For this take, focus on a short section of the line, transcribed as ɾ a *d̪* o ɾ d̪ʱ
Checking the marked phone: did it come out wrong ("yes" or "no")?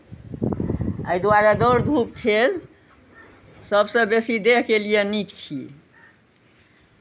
no